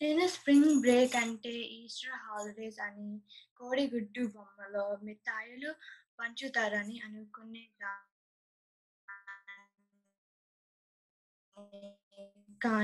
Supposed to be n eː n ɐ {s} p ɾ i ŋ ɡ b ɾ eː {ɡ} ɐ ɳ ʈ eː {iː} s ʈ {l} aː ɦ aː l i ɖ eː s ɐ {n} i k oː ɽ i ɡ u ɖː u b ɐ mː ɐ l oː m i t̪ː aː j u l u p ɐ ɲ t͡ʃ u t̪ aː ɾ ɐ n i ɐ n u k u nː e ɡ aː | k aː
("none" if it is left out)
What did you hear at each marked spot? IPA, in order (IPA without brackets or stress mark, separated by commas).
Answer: s, k, iː, ɾ, n